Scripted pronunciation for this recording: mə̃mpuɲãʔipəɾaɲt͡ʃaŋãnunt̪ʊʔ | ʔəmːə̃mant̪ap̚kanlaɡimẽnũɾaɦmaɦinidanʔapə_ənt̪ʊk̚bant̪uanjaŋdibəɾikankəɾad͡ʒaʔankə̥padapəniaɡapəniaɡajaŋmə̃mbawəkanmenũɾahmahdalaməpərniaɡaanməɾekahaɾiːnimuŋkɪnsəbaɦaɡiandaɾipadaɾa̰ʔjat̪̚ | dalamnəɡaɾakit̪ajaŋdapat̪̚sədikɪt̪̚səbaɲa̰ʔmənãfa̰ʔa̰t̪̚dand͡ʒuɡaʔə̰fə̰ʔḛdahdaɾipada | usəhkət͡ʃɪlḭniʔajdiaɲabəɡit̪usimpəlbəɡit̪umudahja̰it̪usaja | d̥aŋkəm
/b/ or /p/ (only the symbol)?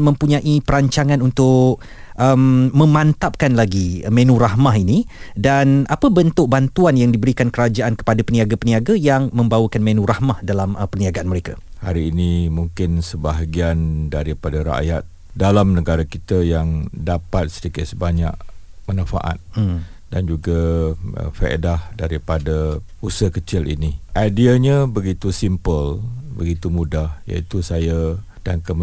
b